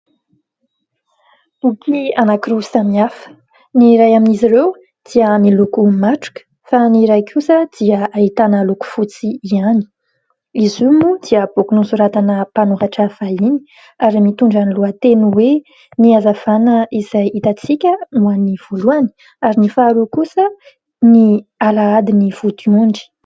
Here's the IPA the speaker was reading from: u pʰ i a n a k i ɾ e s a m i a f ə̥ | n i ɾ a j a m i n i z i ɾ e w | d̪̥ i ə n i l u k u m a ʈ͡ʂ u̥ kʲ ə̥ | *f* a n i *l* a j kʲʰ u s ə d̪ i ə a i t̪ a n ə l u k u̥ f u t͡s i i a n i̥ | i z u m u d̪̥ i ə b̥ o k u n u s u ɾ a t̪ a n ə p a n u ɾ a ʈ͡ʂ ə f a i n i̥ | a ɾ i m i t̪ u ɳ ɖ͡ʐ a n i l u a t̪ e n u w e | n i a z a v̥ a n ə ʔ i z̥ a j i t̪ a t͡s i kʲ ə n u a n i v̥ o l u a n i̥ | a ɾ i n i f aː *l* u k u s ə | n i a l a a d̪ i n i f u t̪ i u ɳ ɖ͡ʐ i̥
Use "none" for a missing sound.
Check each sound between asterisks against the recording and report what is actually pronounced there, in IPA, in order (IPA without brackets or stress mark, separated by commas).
f, ɾ, ɾ